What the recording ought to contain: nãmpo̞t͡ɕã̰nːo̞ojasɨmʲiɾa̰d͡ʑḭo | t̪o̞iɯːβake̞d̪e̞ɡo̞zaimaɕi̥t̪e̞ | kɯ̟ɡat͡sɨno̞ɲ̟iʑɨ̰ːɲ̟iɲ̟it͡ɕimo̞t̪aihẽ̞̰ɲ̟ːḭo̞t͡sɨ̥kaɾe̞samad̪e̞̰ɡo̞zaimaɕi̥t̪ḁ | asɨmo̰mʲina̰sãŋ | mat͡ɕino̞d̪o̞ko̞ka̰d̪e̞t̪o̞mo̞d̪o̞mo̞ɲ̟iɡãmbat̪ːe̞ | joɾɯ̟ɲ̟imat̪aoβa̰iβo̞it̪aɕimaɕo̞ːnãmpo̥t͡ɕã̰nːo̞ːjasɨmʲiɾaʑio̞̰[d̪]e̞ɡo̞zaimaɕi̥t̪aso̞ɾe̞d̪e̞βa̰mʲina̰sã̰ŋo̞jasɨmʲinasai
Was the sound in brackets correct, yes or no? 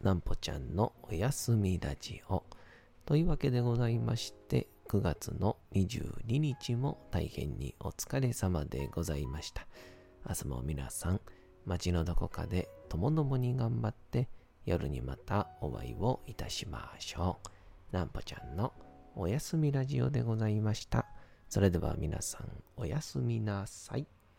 yes